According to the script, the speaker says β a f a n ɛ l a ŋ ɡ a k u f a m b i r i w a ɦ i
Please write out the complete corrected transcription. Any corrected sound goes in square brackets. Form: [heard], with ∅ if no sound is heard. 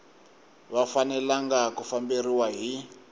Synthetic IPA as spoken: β a f a n ɛ l a ŋ ɡ a k u f a m b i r i w a ɦ i

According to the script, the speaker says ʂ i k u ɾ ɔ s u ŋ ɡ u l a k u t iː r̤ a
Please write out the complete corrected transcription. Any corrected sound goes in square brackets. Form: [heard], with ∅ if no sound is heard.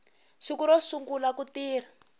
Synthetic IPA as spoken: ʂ i k u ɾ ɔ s u ŋ ɡ u l a k u t iː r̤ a

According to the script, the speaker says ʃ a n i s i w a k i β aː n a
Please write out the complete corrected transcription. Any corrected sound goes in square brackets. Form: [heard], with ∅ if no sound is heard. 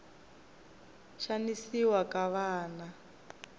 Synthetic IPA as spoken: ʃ a n i s i w a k [a] β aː n a

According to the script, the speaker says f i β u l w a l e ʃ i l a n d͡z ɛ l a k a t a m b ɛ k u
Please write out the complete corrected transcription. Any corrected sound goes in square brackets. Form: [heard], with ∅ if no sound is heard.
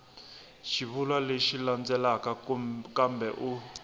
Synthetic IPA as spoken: [ʃ] i β u l w a l e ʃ i l a n d͡z ɛ l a k a [k] a m b ɛ [ʔ] u

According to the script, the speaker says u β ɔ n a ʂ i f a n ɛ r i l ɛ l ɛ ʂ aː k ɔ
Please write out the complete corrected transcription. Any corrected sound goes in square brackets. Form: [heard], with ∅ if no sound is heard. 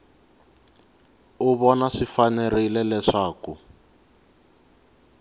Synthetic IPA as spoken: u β ɔ n a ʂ i f a n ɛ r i l ɛ l ɛ ʂ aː k [u]

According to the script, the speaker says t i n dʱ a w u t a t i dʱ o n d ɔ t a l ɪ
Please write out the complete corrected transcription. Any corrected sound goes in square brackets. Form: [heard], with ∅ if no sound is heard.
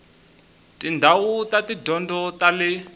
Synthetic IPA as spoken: t i n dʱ a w u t a t i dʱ [ɔ] n d ɔ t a l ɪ

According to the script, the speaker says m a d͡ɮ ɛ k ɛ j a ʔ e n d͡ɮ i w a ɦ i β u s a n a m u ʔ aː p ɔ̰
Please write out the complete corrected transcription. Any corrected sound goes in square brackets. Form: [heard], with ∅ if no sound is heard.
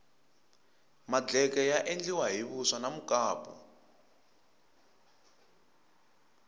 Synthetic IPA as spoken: m a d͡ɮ ɛ k ɛ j a ʔ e n d͡ɮ i w a ɦ i β u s a n a m u [k] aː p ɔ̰

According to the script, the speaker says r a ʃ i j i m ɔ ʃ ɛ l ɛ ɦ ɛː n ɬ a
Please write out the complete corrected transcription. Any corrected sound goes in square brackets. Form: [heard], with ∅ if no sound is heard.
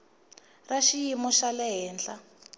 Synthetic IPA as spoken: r a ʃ i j i m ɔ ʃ [a] l ɛ ɦ ɛː n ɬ a

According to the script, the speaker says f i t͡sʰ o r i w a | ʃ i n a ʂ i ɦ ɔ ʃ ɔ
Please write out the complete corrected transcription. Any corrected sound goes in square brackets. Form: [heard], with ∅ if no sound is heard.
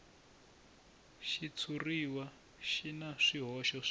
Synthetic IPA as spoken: [ʃ] i t͡sʰ [u] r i w a | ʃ i n a ʂ i ɦ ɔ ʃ ɔ

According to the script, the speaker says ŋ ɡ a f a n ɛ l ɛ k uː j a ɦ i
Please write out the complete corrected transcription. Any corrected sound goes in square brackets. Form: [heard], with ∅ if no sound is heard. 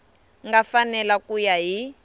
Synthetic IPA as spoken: ŋ ɡ a f a n ɛ l [a] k [u] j a ɦ i

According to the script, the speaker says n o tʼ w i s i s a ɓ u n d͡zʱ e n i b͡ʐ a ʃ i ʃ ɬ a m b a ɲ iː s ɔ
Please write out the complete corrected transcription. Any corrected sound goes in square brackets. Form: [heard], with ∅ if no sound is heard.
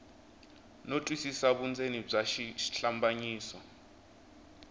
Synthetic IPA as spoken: n o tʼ w i s i s a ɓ u n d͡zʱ e n i b͡ʐ a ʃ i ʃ ɬ a m b a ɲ iː s ɔ

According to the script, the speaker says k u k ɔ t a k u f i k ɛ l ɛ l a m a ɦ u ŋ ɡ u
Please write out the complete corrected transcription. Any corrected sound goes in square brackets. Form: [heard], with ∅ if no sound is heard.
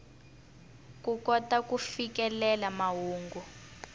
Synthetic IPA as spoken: k u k ɔ t a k u f i k ɛ l ɛ l a m a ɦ [uː] ŋ ɡ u

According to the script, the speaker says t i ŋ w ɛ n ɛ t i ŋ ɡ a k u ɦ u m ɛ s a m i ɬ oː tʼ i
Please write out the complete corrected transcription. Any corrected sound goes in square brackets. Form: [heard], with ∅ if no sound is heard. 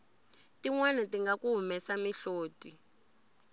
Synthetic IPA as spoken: t i ŋ w ɛ n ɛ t i ŋ ɡ a k u ɦ u m ɛ s a m i ɬ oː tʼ i

